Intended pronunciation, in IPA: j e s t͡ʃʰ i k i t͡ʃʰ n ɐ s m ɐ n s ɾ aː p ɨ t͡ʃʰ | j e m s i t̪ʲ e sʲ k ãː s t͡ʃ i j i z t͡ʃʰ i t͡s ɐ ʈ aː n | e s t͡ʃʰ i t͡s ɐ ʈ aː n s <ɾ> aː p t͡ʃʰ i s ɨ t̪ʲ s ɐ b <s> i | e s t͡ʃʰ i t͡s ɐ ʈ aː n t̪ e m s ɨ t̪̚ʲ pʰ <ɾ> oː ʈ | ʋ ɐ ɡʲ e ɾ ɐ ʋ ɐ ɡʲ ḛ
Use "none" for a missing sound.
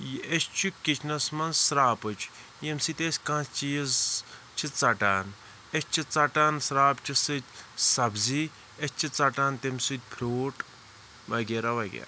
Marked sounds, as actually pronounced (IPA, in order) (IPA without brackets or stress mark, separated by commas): ɾ, z, ɾ